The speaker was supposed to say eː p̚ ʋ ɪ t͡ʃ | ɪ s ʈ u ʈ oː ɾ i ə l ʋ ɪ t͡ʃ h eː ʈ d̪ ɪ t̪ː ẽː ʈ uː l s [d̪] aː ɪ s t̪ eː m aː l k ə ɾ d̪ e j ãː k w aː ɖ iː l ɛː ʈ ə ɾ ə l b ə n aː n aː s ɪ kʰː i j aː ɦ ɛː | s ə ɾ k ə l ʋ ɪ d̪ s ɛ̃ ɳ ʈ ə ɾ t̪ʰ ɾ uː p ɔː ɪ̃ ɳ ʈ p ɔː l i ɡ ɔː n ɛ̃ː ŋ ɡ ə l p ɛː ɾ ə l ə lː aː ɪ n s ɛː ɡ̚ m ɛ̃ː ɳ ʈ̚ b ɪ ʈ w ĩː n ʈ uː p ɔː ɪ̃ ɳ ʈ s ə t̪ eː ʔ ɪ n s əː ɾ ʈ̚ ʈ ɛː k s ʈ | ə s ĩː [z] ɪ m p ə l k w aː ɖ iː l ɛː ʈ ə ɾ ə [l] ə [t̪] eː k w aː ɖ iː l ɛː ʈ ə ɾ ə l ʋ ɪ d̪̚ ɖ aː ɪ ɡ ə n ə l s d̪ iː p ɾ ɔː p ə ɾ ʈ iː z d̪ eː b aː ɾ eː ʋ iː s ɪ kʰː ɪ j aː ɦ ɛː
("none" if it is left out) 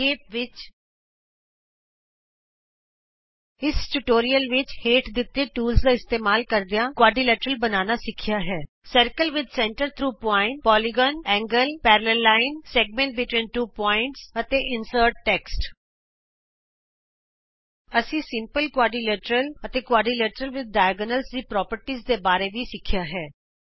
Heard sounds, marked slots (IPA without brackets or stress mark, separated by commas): d̪, s, l, t̪